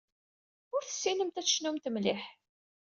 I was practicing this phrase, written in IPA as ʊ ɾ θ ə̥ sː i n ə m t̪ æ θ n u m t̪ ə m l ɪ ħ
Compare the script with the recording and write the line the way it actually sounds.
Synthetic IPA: ʊ ɾ θ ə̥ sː i n ə m t̪ æ ʃ n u m t̪ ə m l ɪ ħ